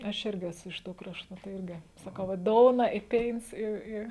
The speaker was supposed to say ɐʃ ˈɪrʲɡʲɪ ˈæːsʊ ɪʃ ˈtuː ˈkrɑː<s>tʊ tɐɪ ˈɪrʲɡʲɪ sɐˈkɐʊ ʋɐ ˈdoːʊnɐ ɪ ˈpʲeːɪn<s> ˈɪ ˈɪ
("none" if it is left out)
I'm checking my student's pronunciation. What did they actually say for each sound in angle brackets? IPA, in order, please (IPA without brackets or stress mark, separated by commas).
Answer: ʃ, s